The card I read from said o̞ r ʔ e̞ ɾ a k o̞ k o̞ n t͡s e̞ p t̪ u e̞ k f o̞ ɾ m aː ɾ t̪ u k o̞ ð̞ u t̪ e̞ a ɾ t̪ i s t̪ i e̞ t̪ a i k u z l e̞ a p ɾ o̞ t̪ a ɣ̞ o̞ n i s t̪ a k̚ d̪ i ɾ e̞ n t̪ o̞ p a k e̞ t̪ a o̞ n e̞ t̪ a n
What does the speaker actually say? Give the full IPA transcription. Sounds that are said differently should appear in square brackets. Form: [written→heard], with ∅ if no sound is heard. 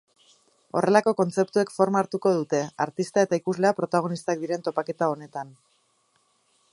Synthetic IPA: o̞ r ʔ e̞ [ɾ→l] a k o̞ k o̞ n t͡s e̞ p t̪ u e̞ k f o̞ ɾ m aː ɾ t̪ u k o̞ ð̞ u t̪ e̞ a ɾ t̪ i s t̪ [i→a] e̞ t̪ a i k u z l e̞ a p ɾ o̞ t̪ a ɣ̞ o̞ n i s t̪ a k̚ d̪ i ɾ e̞ n t̪ o̞ p a k e̞ t̪ a o̞ n e̞ t̪ a n

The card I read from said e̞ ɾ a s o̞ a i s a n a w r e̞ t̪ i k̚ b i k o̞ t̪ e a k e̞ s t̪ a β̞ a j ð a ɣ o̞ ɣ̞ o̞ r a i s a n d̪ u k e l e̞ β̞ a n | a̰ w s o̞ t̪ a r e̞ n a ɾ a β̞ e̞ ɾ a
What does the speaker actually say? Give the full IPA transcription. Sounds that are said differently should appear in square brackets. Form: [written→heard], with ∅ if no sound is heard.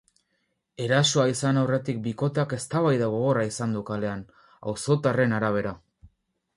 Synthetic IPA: e̞ ɾ a s o̞ a i s a n a w r e̞ t̪ i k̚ b i k o̞ t̪ e a k e̞ s t̪ a β̞ a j ð a ɣ o̞ ɣ̞ o̞ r a i s a n d̪ u k [e→a] l e̞ [β̞→∅] a n | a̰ w s o̞ t̪ a r e̞ n a ɾ a β̞ e̞ ɾ a

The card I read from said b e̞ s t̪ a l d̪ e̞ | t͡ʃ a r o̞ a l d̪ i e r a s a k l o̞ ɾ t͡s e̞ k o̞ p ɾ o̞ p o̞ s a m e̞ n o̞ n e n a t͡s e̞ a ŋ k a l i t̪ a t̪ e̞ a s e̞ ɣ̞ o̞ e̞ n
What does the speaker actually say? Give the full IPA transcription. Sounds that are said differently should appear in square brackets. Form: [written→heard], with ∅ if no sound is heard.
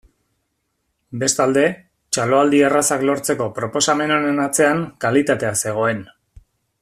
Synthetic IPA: b e̞ s t̪ a l d̪ e̞ | t͡ʃ a [r→l] o̞ a l d̪ i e r a s a k l o̞ ɾ t͡s e̞ k o̞ p ɾ o̞ p o̞ s a m e̞ n o̞ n e n a t͡s e̞ a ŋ k a l i t̪ a t̪ e̞ a s e̞ ɣ̞ o̞ e̞ n

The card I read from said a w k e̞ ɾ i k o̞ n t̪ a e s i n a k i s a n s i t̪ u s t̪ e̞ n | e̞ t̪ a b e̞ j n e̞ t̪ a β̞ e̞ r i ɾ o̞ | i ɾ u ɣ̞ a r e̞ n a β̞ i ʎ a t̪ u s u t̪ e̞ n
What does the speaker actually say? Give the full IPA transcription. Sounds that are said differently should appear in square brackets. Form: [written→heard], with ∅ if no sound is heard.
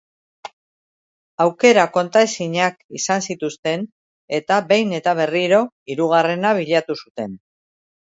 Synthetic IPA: a w k e̞ ɾ [i→a] k o̞ n t̪ a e s i [n→ɲ] a k i s a n s i t̪ u s t̪ e̞ n | e̞ t̪ a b e̞ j n e̞ t̪ a β̞ e̞ r i ɾ o̞ | i ɾ u ɣ̞ a r e̞ n a β̞ i ʎ a t̪ u s u t̪ e̞ n

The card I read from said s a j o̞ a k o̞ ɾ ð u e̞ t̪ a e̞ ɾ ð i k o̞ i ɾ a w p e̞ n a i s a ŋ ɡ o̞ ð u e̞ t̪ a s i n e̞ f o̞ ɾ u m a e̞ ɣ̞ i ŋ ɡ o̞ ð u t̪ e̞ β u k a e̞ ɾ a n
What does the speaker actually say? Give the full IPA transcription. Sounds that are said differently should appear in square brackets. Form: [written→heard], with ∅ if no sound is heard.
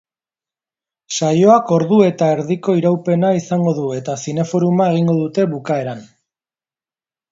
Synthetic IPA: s a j o̞ a k o̞ ɾ ð u e̞ t̪ a e̞ ɾ ð i k o̞ i ɾ a w p e̞ n a i s a ŋ ɡ o̞ ð u e̞ t̪ a s i n e̞ f o̞ ɾ u m a e̞ ɣ̞ i ŋ ɡ o̞ ð u t̪ e̞ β u k a e̞ ɾ a n

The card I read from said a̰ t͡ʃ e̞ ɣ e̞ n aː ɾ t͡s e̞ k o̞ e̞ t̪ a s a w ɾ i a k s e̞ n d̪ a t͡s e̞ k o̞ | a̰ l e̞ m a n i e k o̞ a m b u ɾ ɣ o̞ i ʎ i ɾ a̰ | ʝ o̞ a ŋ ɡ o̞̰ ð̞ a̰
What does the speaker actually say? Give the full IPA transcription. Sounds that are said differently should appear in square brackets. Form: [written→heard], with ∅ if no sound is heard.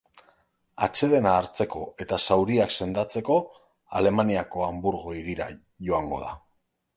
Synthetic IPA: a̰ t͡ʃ e̞ [ɣ→ð] e̞ n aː ɾ t͡s e̞ k o̞ e̞ t̪ a s a w ɾ i a k s e̞ n d̪ a t͡s e̞ k o̞ | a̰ l e̞ m a n i [e→a] k o̞ a m b u ɾ ɣ o̞ i [ʎ→ɾ] i ɾ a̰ | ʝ o̞ a ŋ ɡ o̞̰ ð̞ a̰

